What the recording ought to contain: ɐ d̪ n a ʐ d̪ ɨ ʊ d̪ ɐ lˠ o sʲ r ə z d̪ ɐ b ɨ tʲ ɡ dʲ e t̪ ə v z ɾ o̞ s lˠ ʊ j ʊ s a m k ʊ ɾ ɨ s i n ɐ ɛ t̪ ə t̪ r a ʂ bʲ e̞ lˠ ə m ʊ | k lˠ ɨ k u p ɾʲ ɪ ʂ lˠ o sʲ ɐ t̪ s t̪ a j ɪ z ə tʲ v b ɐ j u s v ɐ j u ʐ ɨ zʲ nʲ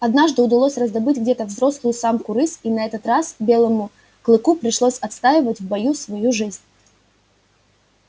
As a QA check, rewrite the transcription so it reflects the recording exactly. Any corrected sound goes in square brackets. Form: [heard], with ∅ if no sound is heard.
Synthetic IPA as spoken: ɐ d̪ n a ʐ d̪ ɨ ʊ d̪ ɐ lˠ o sʲ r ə z d̪ ɐ b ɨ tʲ ɡ dʲ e t̪ ə v z ɾ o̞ s lˠ ʊ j ʊ s a m k ʊ ɾ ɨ s i n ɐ ɛ t̪ ə t̪ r a [s] bʲ e̞ lˠ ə m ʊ | k lˠ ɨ k u p ɾʲ ɪ ʂ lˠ o sʲ ɐ t̪ s t̪ a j ɪ [v] ə tʲ v b ɐ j u s v ɐ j u ʐ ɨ zʲ nʲ